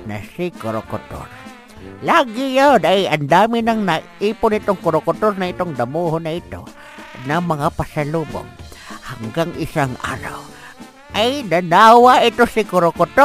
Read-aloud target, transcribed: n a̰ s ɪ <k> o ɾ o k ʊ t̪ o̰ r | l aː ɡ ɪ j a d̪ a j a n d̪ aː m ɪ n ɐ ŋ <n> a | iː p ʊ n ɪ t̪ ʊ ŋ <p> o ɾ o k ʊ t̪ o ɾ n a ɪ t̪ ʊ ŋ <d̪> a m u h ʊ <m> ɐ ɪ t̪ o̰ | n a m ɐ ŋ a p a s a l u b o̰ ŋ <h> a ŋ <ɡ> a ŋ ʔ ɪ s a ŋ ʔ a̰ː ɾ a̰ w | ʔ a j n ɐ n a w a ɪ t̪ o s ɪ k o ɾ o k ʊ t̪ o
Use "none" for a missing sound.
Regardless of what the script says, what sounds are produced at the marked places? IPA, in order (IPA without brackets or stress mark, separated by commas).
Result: k, n, k, d̪, n, h, ɡ